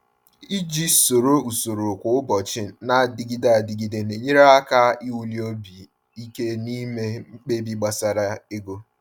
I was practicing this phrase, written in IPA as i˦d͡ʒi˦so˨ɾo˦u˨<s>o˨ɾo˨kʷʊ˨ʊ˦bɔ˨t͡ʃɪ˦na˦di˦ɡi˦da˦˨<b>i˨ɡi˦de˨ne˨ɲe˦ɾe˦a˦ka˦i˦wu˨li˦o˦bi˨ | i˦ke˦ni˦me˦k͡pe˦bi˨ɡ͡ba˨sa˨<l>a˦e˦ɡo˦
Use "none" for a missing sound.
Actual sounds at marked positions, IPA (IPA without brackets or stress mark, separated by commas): s, d, ɾ